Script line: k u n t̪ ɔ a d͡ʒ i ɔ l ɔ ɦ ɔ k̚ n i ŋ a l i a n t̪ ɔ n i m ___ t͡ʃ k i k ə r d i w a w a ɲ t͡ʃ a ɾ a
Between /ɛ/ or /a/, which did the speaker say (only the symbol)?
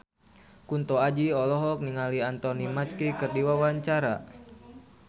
a